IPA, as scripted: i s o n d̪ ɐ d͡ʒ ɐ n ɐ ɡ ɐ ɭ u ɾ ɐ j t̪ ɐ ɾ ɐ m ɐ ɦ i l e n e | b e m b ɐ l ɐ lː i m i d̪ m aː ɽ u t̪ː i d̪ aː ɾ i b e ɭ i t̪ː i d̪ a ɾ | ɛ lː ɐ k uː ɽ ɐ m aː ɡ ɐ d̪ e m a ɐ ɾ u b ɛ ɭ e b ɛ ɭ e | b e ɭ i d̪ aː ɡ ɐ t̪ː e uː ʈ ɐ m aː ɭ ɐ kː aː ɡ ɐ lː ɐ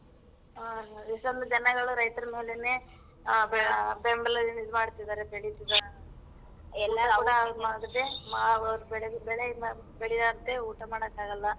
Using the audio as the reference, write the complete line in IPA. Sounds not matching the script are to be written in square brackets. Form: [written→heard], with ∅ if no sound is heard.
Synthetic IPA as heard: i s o n d̪ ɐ d͡ʒ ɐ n ɐ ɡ ɐ ɭ u ɾ ɐ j t̪ ɐ ɾ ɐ m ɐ ɦ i l e n e | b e m b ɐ l ɐ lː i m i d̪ m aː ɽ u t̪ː i d̪ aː ɾ [i→e] b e ɭ i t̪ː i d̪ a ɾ | ɛ lː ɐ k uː ɽ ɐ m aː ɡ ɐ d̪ e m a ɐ ɾ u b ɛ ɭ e b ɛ ɭ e | b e ɭ i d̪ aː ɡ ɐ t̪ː e uː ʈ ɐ m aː [ɭ→ɽ] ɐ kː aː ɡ ɐ lː ɐ